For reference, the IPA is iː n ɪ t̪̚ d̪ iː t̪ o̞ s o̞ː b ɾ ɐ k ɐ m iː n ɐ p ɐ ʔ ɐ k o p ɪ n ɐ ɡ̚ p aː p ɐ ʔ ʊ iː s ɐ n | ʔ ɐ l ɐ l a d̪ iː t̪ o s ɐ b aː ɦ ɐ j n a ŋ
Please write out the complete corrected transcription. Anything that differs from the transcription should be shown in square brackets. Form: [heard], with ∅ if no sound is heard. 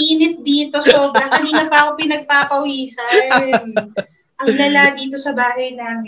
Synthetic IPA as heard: iː n ɪ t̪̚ d̪ iː t̪ o̞ s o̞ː b ɾ ɐ k ɐ [n] iː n ɐ p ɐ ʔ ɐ k o p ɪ n ɐ ɡ̚ p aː p ɐ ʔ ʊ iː s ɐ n | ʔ ɐ l ɐ l a d̪ iː t̪ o s ɐ b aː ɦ ɐ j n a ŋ